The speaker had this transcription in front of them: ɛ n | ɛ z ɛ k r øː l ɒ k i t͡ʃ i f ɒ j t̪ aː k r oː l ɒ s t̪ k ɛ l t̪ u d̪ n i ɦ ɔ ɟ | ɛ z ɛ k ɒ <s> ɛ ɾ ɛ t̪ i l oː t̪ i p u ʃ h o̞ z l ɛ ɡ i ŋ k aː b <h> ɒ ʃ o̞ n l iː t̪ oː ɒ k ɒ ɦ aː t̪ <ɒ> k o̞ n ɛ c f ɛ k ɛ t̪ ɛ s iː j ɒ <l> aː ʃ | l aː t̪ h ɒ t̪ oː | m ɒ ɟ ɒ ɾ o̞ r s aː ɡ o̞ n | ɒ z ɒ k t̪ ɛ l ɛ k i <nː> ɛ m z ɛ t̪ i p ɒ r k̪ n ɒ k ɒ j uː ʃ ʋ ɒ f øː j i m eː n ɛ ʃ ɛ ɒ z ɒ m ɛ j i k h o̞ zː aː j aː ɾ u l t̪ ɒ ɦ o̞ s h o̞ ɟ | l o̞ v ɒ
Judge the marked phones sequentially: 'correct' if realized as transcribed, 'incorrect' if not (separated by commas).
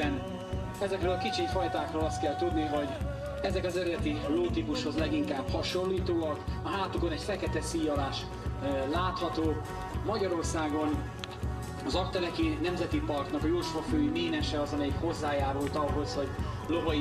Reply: incorrect, correct, incorrect, correct, incorrect